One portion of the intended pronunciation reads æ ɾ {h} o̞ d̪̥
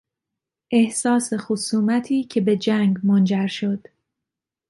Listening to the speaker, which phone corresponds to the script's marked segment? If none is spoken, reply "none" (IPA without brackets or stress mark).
ʃ